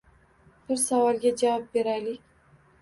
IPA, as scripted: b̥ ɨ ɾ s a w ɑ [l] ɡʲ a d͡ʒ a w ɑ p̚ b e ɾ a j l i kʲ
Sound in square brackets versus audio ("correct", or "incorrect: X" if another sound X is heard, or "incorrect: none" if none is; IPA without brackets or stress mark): correct